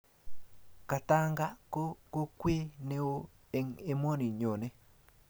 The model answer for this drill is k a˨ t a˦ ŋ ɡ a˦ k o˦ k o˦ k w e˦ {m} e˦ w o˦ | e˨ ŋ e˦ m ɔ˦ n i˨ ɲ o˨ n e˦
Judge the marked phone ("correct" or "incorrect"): incorrect